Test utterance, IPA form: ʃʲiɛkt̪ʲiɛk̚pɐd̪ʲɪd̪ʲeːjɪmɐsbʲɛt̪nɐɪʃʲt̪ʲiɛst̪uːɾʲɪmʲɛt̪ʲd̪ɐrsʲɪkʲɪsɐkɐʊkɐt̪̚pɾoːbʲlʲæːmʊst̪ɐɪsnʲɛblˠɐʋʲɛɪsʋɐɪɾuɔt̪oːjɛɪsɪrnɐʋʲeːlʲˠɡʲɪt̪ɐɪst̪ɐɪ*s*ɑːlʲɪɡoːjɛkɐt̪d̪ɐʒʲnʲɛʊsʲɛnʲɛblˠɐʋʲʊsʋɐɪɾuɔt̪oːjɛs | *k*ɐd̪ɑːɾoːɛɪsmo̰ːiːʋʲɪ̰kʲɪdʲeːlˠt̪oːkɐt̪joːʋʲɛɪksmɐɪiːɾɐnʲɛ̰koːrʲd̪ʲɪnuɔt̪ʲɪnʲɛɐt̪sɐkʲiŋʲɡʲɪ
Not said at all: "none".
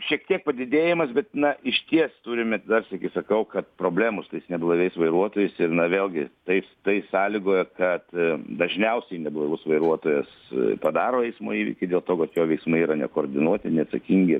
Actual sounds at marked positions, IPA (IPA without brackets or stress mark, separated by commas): s, p